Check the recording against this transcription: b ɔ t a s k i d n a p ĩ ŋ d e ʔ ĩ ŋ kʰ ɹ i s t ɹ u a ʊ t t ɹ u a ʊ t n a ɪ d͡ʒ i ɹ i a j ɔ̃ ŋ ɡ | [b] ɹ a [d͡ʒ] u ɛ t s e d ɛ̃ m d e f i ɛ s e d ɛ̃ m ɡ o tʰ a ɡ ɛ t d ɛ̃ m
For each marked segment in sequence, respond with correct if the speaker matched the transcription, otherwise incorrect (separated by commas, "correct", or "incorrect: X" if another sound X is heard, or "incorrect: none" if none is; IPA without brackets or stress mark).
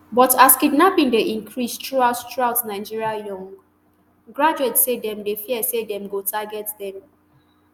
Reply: incorrect: ɡ, correct